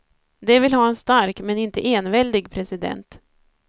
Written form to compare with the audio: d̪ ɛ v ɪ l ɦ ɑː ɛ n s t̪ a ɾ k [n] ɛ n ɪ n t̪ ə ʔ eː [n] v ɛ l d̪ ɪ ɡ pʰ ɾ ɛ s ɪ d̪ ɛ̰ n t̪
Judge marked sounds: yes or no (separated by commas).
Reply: no, yes